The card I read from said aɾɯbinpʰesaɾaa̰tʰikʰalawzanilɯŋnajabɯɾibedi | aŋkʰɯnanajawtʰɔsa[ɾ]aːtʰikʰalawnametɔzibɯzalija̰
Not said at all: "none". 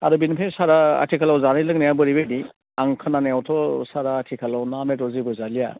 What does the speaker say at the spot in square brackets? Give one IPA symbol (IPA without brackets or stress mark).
ɾ